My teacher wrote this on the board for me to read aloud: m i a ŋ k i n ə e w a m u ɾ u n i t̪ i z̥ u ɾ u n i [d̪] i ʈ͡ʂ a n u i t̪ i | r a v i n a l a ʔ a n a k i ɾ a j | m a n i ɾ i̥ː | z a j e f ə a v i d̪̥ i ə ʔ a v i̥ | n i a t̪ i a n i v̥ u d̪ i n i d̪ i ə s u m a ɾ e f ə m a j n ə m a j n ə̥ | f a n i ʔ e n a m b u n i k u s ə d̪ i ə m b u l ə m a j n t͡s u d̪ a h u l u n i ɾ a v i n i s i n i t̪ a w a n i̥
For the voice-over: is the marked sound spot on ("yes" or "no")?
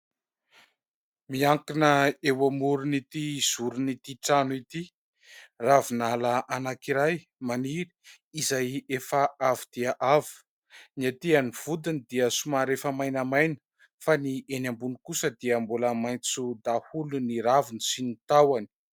no